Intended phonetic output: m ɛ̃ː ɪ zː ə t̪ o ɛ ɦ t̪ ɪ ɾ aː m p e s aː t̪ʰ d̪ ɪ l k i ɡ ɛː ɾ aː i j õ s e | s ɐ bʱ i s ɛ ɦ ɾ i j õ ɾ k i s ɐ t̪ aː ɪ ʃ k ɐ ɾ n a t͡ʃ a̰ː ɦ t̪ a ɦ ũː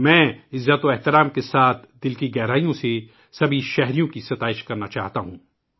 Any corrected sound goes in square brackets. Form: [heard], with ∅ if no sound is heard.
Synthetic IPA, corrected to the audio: m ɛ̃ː ɪ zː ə t̪ o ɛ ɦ t̪ ɪ ɾ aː m [k] e s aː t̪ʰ d̪ ɪ l k i ɡ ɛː ɾ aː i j õ s e | s ɐ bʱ i [ʃ] ɛ ɦ ɾ i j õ [∅] k i s ɐ t̪ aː ɪ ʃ k ɐ ɾ n a t͡ʃ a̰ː ɦ t̪ a ɦ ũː